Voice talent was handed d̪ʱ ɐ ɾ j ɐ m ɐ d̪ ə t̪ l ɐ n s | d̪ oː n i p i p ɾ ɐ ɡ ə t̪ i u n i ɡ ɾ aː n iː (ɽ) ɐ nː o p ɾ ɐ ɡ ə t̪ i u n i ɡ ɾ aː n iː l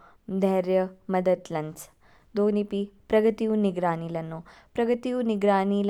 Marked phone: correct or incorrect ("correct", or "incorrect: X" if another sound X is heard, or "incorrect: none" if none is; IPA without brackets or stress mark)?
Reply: incorrect: l